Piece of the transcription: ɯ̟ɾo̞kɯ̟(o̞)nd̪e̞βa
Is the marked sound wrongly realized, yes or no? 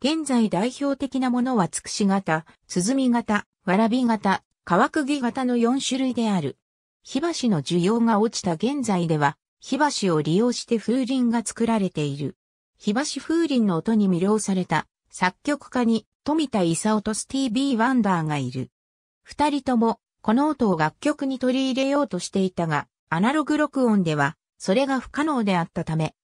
yes